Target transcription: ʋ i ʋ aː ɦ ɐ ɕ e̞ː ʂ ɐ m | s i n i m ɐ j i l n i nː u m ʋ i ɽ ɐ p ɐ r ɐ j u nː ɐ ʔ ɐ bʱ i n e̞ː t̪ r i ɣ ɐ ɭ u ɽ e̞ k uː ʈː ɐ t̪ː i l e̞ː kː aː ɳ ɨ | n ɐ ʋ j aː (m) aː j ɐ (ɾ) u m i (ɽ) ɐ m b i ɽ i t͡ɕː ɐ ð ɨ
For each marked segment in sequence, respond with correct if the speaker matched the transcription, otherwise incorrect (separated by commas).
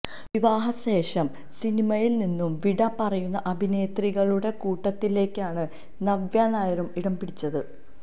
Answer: incorrect, correct, correct